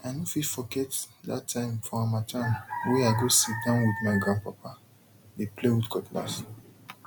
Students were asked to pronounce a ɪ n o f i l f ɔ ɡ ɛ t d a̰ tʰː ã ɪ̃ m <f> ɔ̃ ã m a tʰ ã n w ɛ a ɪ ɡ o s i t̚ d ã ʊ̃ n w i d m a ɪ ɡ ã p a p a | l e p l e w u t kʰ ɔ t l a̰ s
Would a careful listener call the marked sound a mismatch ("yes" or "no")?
no